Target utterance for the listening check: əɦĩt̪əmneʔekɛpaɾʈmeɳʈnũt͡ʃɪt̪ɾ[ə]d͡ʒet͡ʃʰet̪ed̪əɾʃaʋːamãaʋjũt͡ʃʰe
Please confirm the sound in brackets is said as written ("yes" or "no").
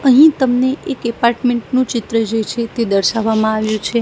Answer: yes